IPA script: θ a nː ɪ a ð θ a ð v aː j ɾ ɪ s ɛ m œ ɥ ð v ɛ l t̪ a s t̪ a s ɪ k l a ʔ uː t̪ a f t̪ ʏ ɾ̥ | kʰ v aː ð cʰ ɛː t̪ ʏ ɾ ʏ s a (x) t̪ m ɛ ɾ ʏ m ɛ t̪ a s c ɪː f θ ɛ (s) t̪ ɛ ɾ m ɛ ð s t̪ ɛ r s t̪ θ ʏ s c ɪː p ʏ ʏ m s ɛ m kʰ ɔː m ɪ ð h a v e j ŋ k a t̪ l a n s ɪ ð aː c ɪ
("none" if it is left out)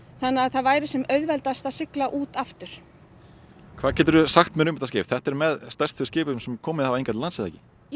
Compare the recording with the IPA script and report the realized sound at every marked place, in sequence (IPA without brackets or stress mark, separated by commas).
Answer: x, h